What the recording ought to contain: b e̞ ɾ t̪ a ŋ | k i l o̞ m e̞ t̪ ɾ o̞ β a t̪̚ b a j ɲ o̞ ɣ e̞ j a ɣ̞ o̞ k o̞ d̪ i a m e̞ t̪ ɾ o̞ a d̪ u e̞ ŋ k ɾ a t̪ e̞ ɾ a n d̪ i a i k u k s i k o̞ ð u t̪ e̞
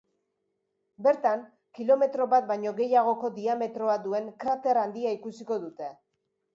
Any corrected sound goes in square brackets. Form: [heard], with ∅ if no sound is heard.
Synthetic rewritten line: b e̞ ɾ t̪ a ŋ | k i l o̞ m e̞ t̪ ɾ o̞ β a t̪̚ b a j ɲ o̞ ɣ e̞ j a ɣ̞ o̞ k o̞ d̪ i a m e̞ t̪ ɾ o̞ a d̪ u e̞ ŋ k ɾ a t̪ e̞ ɾ a n d̪ i a i k u [∅] s i k o̞ ð u t̪ e̞